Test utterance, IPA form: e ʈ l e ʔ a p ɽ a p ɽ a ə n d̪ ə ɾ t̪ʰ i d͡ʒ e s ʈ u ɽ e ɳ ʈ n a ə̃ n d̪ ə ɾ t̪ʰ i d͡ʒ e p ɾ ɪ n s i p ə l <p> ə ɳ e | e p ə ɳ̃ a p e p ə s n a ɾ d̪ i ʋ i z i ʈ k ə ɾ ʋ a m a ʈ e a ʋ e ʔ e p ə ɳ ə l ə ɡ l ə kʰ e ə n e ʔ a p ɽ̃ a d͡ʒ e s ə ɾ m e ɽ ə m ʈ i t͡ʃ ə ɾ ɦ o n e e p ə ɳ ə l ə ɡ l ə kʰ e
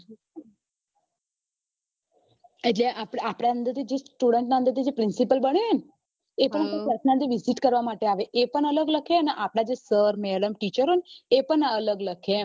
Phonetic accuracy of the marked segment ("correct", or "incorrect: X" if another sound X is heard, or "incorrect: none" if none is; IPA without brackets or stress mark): incorrect: b